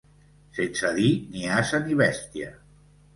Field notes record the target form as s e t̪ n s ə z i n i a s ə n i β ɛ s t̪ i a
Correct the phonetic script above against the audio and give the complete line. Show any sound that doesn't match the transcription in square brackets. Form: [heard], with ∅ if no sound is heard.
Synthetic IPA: s e [∅] n s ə [ð] i n i a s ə n i β ɛ s t̪ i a